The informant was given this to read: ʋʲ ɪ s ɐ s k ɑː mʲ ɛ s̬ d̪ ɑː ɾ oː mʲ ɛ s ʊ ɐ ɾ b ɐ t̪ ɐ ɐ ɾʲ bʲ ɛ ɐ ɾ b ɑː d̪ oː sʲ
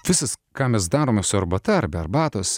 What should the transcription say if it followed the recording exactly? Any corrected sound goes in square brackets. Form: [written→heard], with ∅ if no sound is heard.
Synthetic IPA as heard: ʋʲ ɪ s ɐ s k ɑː mʲ ɛ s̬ d̪ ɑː ɾ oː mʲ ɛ s ʊ ɐ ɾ b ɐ t̪ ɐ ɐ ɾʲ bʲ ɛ ɐ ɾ b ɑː [d̪→t̪] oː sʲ